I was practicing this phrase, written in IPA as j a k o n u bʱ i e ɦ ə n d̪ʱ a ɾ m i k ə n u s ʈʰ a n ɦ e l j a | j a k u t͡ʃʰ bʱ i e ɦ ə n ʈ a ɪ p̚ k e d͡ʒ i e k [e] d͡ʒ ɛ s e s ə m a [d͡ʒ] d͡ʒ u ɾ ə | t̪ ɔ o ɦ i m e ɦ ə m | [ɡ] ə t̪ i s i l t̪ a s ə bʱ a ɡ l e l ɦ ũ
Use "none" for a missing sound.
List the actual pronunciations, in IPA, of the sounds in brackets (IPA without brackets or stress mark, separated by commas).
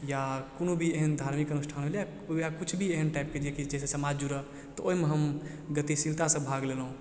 i, d͡ʒ, ɡ